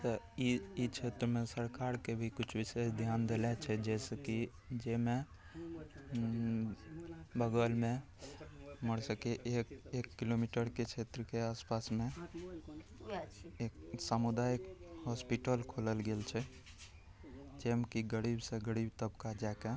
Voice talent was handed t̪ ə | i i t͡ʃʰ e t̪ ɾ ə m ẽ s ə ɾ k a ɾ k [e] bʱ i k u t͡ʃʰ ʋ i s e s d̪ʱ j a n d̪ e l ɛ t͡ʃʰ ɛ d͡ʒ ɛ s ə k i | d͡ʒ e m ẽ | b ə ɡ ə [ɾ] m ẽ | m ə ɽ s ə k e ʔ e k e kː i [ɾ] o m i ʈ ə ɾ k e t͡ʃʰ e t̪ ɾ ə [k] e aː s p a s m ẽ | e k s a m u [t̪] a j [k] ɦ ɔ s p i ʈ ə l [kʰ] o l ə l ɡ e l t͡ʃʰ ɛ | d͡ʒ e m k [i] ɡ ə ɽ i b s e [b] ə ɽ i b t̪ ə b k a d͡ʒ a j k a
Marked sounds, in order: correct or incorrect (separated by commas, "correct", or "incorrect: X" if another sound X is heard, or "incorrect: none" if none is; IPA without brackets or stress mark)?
correct, incorrect: l, incorrect: l, correct, incorrect: d̪, correct, correct, correct, incorrect: ɡ